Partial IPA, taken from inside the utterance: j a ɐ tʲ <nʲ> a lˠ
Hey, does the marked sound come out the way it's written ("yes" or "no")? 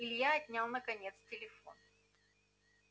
yes